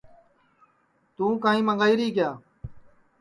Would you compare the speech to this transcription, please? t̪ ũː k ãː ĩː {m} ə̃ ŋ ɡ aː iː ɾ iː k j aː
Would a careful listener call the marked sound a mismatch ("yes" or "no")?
no